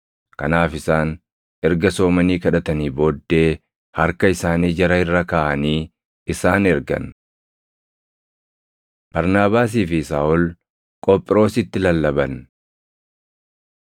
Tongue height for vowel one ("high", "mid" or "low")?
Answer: low